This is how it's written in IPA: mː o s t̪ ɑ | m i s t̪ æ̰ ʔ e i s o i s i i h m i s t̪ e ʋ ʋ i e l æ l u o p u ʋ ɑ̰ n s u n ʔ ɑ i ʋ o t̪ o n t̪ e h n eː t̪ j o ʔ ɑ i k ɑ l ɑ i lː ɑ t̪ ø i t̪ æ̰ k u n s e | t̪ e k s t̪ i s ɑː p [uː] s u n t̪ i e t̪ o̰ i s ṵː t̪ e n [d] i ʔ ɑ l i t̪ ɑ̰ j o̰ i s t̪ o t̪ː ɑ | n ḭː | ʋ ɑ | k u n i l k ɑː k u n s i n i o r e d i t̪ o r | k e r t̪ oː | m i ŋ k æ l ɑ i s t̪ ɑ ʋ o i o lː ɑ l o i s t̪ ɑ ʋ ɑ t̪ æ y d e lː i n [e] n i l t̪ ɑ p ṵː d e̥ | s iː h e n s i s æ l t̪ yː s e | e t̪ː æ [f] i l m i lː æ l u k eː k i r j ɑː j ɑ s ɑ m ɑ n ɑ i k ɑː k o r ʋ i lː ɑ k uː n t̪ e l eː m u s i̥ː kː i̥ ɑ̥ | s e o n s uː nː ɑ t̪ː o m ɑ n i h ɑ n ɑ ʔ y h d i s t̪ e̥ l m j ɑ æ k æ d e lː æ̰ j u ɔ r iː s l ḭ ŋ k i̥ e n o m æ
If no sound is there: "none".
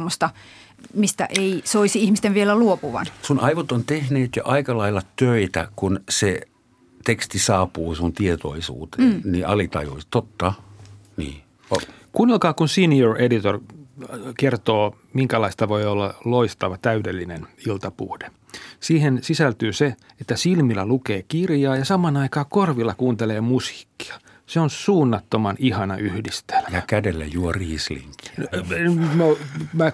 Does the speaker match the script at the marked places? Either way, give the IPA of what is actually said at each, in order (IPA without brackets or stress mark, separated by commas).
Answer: uː, n, e, s